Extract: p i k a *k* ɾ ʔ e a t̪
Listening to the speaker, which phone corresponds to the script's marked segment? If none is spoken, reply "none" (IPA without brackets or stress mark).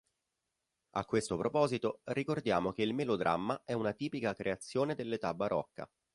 k